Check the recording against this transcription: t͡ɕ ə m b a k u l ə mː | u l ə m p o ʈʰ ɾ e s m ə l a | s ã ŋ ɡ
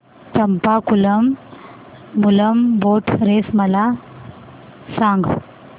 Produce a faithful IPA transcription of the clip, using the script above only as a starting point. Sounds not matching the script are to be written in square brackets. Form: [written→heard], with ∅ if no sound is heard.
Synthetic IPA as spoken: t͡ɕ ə m [b→p] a k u l ə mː | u l ə m [p→b] o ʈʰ ɾ e s m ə l a | s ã ŋ ɡ

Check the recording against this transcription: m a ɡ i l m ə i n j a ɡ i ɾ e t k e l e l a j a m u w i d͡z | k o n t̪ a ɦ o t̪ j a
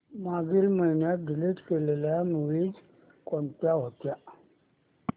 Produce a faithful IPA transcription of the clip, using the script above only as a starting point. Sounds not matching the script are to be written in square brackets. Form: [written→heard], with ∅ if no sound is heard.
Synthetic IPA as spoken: m a ɡ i l m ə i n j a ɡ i [ɾ→l] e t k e l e l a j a m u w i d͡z | k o n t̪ a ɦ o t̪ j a

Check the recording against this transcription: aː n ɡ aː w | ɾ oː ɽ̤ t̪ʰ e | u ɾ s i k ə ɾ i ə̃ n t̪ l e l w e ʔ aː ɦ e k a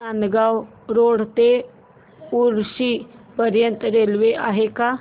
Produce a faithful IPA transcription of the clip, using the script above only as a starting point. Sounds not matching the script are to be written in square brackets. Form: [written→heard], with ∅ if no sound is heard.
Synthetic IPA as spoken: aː n ɡ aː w | ɾ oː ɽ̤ [t̪ʰ→t̪] e | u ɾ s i [k→p] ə ɾ [i→j] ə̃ n t̪ [l→ɾ] e l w e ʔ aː ɦ e k a

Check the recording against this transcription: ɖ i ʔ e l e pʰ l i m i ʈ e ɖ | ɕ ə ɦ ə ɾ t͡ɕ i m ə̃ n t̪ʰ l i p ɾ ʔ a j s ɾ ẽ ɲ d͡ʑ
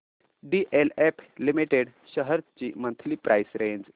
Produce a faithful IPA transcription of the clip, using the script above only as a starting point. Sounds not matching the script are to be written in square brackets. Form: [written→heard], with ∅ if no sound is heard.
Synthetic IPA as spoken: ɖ i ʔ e l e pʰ l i m i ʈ e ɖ | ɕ ə ɦ ə ɾ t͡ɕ i m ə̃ n t̪ʰ l i p ɾ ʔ a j s ɾ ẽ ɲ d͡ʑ

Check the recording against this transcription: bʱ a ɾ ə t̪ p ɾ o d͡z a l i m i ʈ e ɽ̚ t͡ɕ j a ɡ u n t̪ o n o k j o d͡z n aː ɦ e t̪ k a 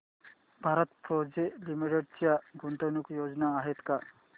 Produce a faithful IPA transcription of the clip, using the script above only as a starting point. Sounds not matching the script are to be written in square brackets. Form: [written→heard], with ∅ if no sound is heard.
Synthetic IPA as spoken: bʱ a ɾ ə t̪ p ɾ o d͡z [a→e] l i m i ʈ e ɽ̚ t͡ɕ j a ɡ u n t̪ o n [o→u] k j o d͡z n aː ɦ e t̪ k a

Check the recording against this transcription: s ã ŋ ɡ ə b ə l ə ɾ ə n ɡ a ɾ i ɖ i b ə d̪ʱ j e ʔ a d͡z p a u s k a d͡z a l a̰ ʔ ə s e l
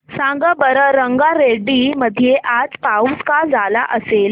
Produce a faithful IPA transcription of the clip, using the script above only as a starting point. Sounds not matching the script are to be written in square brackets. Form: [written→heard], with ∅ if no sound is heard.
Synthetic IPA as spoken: s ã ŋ ɡ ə b ə [l→ɾ] ə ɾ ə [n→ŋ] ɡ a ɾ [i→e] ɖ i [b→m] ə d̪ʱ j e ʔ a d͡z p a u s k a d͡z a l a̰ ʔ ə s e l

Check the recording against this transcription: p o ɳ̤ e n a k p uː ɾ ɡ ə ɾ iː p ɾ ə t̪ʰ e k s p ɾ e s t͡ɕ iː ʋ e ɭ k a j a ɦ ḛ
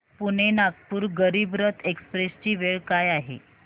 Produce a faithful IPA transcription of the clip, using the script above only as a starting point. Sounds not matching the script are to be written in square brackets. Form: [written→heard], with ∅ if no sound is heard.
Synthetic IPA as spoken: p [o→u] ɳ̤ e n a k p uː ɾ ɡ ə ɾ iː [p→b] ɾ ə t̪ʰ e k s p ɾ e s t͡ɕ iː ʋ e ɭ k a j a ɦ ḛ

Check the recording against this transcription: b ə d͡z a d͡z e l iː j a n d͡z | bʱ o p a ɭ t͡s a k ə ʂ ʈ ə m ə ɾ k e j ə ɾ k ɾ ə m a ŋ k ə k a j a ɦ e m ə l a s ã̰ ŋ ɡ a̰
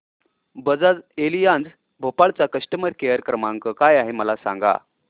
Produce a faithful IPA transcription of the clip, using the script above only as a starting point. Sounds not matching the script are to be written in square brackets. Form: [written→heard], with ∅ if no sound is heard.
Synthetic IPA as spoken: b ə d͡z a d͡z e l [iː→i] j a n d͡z | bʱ o p a ɭ t͡s a k ə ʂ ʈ ə m ə ɾ k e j ə ɾ k ɾ ə m a ŋ k ə k a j a ɦ e m ə l a s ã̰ ŋ ɡ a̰

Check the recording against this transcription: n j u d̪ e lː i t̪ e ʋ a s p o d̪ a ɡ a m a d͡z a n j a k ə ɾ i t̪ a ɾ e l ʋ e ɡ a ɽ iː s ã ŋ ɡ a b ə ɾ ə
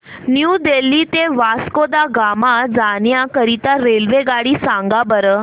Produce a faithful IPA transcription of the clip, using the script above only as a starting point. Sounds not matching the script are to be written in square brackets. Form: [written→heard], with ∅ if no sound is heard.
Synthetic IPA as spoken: n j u d̪ e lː i t̪ e ʋ a s [p→k] o d̪ a ɡ a m a d͡z a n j a k ə ɾ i t̪ a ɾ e l ʋ e ɡ a ɽ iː s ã ŋ ɡ a b ə ɾ ə

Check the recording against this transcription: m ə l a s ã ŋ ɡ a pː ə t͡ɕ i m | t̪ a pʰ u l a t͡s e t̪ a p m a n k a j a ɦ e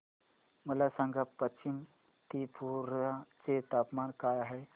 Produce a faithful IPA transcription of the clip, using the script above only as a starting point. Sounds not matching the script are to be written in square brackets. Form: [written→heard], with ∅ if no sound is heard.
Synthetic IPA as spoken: m ə l a s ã ŋ ɡ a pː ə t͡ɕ i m | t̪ [a→i] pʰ u [l→ɾ] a t͡s e t̪ a p m a n k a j a ɦ e

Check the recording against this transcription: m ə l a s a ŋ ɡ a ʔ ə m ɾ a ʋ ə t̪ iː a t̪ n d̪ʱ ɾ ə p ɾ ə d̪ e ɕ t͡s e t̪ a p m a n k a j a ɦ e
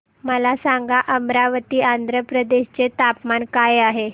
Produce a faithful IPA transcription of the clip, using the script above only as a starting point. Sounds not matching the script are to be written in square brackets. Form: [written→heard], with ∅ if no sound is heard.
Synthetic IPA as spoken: m ə l a s a ŋ ɡ a ʔ ə m ɾ a ʋ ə t̪ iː a [t̪→∅] n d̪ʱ ɾ ə p ɾ ə d̪ e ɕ t͡s e t̪ a p m a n k a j a ɦ e

